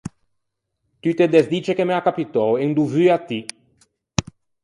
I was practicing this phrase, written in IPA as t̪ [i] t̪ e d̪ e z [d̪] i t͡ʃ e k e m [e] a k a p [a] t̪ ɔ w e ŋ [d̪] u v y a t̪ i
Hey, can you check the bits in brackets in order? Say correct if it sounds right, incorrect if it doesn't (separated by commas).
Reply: incorrect, correct, correct, incorrect, correct